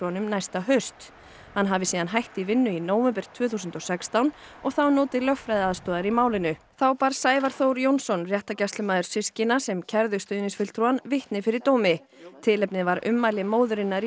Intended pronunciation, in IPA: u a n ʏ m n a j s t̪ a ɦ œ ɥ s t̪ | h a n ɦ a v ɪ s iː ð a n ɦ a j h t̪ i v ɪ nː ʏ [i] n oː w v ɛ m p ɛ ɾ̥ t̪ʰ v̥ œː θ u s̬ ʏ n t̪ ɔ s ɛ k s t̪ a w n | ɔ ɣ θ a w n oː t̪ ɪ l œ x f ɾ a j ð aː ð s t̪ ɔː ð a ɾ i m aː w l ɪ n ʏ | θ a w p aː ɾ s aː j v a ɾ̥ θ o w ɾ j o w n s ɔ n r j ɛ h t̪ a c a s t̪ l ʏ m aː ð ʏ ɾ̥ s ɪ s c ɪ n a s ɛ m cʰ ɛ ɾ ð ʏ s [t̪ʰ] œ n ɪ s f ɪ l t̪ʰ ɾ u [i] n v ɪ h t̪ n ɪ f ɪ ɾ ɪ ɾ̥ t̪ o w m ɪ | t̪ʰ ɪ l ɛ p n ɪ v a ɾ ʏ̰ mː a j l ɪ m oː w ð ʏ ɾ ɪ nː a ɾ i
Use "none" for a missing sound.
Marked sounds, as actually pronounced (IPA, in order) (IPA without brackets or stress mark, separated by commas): i, t̪, a